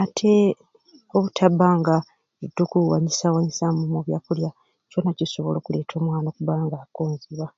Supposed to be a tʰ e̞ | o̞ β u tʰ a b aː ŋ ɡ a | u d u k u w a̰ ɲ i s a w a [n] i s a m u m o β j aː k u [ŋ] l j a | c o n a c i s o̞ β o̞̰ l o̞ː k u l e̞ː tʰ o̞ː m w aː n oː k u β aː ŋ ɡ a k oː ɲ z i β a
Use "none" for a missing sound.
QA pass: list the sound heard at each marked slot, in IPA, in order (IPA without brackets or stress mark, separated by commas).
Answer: ɲ, none